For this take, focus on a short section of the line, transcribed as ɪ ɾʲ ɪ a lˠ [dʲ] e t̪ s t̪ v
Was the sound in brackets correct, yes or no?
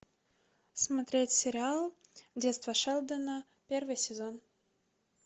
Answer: yes